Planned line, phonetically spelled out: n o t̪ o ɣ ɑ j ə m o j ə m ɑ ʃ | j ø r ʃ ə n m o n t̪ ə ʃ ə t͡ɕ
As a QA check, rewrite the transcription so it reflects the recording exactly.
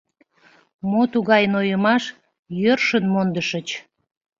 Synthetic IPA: m o t̪ u ɣ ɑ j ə n o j ə m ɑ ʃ | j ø r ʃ ə n m o n d̪ ə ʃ ə t͡ɕ